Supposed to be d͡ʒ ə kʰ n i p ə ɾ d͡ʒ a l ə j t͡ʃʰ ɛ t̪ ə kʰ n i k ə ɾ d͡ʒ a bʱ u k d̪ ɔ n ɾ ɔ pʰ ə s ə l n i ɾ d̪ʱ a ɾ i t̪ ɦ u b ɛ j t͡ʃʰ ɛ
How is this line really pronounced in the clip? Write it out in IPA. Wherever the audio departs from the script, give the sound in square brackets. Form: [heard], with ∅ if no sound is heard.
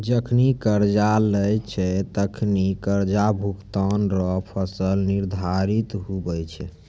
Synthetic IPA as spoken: d͡ʒ ə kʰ n i [k] ə ɾ d͡ʒ a l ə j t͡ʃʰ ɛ t̪ ə kʰ n i k ə ɾ d͡ʒ a bʱ u k [t̪] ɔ n ɾ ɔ pʰ ə s ə l n i ɾ d̪ʱ a ɾ i t̪ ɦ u b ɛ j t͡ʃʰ ɛ